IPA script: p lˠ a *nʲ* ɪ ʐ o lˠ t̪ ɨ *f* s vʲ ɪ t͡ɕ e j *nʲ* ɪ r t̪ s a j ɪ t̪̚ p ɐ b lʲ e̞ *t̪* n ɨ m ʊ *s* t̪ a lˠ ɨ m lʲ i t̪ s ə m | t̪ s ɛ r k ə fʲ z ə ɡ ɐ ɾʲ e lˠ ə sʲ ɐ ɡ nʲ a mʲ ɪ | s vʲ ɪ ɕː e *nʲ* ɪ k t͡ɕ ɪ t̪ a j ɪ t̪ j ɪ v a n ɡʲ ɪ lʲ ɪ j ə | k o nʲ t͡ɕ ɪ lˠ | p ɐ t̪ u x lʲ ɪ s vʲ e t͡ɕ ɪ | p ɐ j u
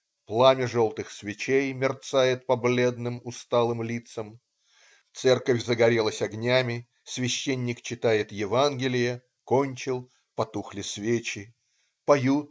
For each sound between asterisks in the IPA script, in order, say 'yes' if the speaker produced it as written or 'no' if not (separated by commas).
no, no, no, no, yes, no